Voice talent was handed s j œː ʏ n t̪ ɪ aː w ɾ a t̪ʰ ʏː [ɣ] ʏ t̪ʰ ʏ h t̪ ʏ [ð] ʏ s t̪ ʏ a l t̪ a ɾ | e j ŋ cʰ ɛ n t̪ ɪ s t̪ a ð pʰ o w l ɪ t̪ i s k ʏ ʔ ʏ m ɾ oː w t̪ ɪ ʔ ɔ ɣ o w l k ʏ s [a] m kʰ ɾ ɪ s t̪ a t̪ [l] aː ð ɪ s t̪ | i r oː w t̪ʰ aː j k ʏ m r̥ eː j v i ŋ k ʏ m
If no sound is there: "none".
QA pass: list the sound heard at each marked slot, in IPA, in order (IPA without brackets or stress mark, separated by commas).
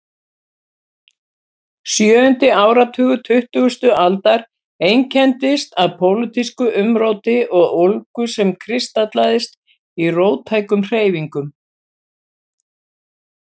ɣ, ɣ, ɛ, l